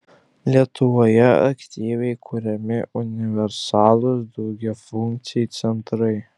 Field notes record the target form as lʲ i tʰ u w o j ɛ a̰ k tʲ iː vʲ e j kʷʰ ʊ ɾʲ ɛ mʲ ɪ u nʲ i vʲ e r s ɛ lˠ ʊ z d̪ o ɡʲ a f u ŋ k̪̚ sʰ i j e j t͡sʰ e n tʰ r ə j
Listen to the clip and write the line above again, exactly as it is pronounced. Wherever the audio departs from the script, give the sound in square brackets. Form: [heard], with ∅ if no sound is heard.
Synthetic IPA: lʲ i tʰ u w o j ɛ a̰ k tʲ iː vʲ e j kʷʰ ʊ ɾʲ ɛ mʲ ɪ u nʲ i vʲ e r s [a] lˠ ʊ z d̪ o ɡʲ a f u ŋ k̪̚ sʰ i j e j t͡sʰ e n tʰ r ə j